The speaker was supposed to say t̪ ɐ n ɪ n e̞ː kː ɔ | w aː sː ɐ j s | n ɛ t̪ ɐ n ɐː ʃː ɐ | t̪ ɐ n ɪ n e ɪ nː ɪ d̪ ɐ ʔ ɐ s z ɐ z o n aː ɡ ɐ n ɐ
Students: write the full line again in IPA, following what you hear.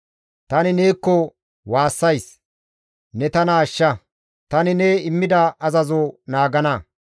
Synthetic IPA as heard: t̪ ɐ n ɪ n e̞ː kː ɔ | w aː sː ɐ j s | n ɛ t̪ ɐ n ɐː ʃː ɐ | t̪ ɐ n ɪ n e ɪ mː ɪ d̪ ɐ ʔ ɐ z ɐ z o n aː ɡ ɐ n ɐ